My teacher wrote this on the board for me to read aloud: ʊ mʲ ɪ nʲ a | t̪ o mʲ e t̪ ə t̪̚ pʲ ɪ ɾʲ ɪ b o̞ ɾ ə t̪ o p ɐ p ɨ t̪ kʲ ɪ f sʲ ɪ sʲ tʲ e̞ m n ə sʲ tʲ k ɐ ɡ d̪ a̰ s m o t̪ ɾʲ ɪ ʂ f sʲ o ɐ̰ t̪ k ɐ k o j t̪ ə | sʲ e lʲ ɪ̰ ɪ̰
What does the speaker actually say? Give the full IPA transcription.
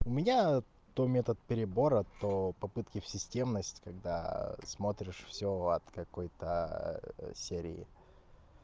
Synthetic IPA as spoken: ʊ mʲ ɪ nʲ a | t̪ o mʲ e t̪ ə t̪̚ pʲ ɪ ɾʲ ɪ b o̞ ɾ ə t̪ o p ɐ p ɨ t̪ kʲ ɪ f sʲ ɪ sʲ tʲ e̞ m n ə sʲ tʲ k ɐ ɡ d̪ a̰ s m o t̪ ɾʲ ɪ ʂ f sʲ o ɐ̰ t̪ k ɐ k o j t̪ ə | sʲ e ɾʲ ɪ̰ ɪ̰